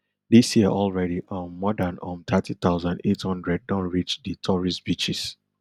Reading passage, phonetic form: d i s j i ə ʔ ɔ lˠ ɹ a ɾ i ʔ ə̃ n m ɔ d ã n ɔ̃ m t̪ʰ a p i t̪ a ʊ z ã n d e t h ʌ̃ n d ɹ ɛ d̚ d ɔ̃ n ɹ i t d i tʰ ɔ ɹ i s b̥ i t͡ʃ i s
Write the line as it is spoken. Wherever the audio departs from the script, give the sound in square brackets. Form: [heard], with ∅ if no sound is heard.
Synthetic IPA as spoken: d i s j i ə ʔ ɔ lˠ ɹ [ɛ] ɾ i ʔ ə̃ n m ɔ d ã n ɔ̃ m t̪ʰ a [t] i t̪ a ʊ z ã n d e t h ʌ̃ n d ɹ ɛ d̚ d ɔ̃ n ɹ i [t͡ʃ] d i tʰ ɔ ɹ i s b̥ i t͡ʃ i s